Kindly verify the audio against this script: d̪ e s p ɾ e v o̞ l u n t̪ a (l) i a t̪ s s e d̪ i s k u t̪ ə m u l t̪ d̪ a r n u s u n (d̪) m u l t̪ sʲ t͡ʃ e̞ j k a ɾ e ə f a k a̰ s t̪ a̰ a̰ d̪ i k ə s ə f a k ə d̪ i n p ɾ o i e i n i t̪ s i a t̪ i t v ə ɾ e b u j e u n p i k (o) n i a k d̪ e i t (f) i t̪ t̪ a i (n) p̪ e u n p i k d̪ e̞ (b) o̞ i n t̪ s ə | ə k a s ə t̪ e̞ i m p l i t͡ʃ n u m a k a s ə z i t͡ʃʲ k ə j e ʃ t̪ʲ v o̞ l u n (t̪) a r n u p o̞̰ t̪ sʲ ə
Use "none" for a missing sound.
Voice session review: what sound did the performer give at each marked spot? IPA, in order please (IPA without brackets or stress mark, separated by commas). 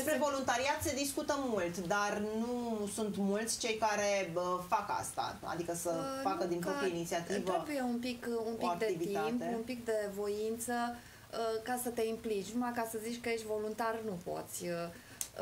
ɾ, t̪, u, v, m, v, t̪